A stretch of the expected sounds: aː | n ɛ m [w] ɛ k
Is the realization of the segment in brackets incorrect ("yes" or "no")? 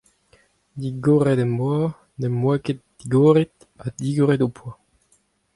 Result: no